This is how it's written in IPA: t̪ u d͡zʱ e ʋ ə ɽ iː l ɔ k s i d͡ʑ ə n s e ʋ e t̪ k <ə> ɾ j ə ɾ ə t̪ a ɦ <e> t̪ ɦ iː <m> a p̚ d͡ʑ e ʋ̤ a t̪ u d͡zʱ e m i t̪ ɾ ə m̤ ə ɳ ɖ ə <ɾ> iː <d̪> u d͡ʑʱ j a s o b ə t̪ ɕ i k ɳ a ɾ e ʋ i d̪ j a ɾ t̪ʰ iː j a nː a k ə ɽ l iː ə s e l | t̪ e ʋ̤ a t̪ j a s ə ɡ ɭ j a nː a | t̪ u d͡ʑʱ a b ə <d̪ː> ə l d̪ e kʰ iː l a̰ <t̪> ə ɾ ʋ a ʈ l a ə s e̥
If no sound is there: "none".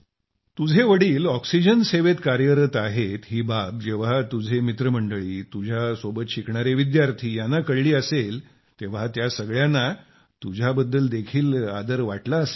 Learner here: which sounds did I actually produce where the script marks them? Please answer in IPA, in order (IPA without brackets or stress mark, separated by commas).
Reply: a, e, b, ɭ, t̪, d̪ː, d̪